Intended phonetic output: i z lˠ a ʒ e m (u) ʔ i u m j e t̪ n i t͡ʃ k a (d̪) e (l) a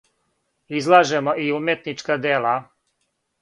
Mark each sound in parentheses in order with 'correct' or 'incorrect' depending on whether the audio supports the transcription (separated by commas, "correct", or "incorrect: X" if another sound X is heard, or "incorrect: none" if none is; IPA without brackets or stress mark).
incorrect: o, correct, correct